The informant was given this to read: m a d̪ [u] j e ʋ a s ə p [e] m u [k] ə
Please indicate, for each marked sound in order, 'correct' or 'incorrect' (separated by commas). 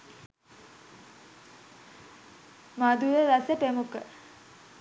correct, correct, correct